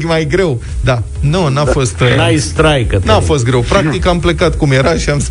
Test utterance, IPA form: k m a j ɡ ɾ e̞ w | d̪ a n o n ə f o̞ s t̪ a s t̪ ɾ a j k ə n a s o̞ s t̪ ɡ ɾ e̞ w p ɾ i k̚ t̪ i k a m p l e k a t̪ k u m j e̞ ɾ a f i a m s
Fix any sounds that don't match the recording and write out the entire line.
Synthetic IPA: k m a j ɡ ɾ e̞ w | d̪ a n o n a f o̞ s t̪ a s t̪ ɾ a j k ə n a f o̞ s t̪ ɡ ɾ e̞ w p ɾ a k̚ t̪ i k a m p l e k a t̪ k u m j e̞ ɾ a ʃ i a m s